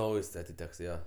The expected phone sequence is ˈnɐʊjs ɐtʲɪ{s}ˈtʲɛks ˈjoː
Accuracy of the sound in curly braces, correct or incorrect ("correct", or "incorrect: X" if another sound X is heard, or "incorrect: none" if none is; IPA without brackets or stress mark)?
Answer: incorrect: none